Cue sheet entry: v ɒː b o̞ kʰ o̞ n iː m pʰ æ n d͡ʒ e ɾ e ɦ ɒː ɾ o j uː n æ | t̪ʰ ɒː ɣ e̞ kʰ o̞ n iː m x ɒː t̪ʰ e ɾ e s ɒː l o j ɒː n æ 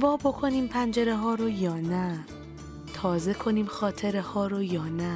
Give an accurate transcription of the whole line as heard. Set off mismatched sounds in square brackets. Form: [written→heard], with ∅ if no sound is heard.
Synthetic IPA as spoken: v ɒː b o̞ kʰ o̞ n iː m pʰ æ n d͡ʒ e ɾ e ɦ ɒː ɾ o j [uː→ɒː] n æ | t̪ʰ ɒː [ɣ→z] e̞ kʰ o̞ n iː m x ɒː t̪ʰ e ɾ e [s→h] ɒː [l→ɾ] o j ɒː n æ